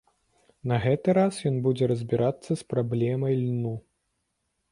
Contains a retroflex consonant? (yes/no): no